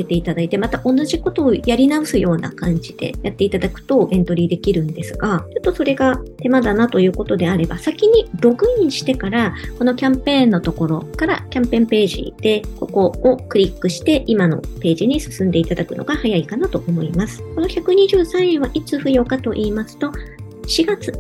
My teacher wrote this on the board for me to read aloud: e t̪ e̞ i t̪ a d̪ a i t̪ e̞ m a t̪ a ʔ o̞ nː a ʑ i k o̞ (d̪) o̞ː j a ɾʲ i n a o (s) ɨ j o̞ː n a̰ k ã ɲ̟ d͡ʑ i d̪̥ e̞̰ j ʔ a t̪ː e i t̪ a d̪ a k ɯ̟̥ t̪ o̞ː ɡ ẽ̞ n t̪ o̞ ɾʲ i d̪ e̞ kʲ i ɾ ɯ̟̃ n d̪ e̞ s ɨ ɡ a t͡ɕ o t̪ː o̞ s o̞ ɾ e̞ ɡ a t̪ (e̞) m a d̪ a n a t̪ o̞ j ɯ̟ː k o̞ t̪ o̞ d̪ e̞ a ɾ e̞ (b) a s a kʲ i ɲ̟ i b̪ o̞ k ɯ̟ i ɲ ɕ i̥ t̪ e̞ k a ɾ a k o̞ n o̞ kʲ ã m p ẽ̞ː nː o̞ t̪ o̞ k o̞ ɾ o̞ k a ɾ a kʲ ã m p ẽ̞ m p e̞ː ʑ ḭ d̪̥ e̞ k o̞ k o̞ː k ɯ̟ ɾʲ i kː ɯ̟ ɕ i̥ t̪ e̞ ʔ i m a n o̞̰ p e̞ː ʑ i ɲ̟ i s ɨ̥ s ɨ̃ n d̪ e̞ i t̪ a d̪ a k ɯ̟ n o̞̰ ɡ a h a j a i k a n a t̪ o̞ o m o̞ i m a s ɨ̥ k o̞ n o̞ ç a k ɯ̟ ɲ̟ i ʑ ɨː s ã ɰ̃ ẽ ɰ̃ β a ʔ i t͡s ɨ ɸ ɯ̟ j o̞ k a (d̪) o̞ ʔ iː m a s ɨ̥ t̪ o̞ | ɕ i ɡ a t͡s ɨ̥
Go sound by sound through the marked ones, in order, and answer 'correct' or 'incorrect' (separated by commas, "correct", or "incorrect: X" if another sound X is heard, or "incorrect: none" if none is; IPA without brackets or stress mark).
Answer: incorrect: t̪, correct, correct, correct, incorrect: t̪